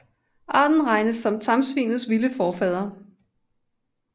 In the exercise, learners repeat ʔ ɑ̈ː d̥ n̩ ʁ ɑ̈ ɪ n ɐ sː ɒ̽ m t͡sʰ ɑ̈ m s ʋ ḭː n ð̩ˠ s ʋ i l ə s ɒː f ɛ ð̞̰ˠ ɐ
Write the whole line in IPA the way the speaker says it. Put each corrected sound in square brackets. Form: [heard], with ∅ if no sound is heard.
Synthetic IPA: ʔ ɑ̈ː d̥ n̩ ʁ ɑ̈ ɪ n [ə] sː ɒ̽ m t͡sʰ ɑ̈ m s ʋ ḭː n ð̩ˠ s ʋ i l ə [f] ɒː f ɛ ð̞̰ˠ ɐ